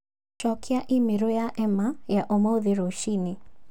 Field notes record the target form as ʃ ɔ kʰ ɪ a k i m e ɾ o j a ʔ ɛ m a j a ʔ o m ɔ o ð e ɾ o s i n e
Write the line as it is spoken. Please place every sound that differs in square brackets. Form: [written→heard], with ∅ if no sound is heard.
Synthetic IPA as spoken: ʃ ɔ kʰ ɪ a [k→ʔ] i m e ɾ o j a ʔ ɛ m a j a ʔ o m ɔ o ð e ɾ o [s→ʃ] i n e